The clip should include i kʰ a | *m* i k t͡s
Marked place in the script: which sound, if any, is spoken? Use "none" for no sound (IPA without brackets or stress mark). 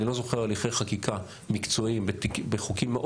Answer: m